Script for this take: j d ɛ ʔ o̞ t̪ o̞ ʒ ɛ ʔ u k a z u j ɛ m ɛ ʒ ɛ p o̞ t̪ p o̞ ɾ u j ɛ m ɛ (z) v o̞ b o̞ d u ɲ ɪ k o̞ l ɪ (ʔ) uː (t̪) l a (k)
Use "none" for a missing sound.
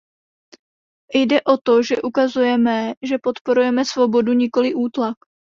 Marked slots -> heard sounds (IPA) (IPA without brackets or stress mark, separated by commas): s, ʔ, t̪, k